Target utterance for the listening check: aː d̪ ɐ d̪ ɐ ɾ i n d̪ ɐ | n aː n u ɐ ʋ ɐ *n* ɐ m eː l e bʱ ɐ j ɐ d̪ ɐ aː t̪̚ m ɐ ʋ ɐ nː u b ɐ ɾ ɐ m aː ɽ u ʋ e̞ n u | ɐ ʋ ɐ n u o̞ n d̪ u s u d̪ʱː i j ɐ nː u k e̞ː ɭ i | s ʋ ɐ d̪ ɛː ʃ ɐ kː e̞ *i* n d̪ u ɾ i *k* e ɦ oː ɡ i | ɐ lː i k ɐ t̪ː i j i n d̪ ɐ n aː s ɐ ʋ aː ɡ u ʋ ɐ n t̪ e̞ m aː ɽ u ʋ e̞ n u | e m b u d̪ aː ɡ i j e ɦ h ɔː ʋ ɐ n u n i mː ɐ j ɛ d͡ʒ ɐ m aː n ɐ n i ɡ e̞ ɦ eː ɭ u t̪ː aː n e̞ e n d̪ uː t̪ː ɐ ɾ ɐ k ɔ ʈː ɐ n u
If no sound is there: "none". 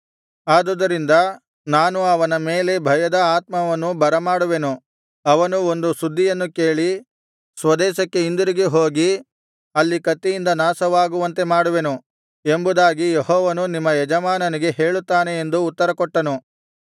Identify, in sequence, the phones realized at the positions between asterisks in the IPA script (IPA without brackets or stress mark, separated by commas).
n, i, ɡ